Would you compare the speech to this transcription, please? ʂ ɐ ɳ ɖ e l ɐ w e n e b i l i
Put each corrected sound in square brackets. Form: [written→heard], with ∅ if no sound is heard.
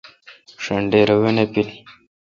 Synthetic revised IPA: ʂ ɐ ɳ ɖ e [l→ɾ] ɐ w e n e [b→p] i l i